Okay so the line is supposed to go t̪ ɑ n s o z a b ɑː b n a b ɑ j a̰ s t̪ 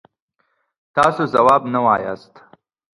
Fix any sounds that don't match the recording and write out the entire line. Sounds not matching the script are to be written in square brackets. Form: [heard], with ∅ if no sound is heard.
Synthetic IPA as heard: t̪ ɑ [∅] s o z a [w] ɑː b n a [w] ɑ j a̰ s t̪